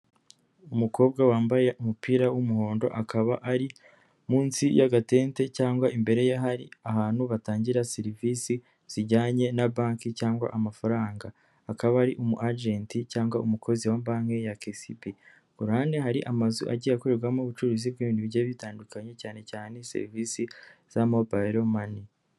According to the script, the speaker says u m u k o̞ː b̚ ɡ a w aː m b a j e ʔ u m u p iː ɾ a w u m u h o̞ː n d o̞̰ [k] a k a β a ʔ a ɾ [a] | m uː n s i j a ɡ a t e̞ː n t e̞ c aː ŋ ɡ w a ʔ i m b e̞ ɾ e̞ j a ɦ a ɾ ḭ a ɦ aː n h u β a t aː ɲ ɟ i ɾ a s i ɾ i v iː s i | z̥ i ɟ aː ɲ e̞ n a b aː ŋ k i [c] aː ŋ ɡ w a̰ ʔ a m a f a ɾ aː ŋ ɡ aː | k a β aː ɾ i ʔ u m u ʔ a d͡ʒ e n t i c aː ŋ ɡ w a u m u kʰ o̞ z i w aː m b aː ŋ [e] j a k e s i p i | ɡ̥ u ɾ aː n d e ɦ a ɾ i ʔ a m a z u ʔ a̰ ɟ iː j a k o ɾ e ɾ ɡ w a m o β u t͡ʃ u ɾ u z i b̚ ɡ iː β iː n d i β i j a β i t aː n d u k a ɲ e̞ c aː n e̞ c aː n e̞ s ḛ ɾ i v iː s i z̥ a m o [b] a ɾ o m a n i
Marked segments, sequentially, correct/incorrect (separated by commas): incorrect, incorrect, correct, correct, correct